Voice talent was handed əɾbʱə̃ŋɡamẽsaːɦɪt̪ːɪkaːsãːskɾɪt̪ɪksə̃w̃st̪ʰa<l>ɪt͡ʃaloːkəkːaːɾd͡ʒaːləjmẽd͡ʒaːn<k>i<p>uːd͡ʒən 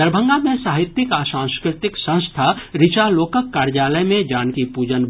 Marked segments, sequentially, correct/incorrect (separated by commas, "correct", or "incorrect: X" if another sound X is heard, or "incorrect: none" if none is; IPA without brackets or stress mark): incorrect: ɾ, correct, correct